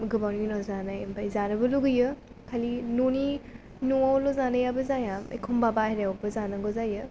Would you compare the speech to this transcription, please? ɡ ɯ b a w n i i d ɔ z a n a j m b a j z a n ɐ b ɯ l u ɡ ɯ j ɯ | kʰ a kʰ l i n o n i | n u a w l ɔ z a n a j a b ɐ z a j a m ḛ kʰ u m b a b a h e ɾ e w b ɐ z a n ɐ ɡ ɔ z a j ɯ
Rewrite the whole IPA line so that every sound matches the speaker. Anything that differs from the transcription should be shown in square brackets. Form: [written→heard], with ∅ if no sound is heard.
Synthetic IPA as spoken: ɡ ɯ b a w n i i [d→n] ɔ z a n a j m b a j z a n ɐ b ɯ l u ɡ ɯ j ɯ | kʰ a [kʰ→∅] l i n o n i | n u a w l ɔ z a n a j a b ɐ z a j a m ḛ kʰ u m b a b a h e ɾ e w b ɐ z a n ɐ ɡ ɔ z a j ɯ